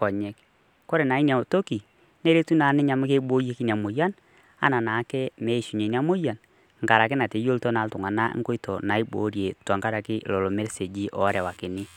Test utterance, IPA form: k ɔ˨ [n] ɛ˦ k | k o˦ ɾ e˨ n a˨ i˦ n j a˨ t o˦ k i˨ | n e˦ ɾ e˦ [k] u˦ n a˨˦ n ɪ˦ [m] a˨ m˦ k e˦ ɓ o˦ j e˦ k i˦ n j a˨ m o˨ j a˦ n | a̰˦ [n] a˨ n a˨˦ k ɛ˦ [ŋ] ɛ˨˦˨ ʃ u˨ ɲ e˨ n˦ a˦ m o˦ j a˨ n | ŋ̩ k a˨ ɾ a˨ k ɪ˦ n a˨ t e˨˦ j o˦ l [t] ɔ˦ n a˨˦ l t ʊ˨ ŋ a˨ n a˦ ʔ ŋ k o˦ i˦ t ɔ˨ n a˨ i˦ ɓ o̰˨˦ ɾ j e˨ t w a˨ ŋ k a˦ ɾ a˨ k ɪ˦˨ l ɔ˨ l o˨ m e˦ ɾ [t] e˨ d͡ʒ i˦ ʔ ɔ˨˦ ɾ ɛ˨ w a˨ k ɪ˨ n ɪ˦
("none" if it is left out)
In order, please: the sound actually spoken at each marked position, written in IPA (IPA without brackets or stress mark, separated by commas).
ɲ, t, ɲ, n, m, t, s